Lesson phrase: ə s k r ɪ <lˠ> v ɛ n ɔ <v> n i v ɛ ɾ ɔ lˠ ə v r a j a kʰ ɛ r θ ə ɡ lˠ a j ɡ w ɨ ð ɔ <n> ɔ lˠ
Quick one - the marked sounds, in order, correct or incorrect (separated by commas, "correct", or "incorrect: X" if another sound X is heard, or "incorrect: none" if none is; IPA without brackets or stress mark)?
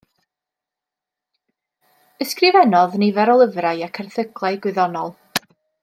incorrect: none, incorrect: ð, correct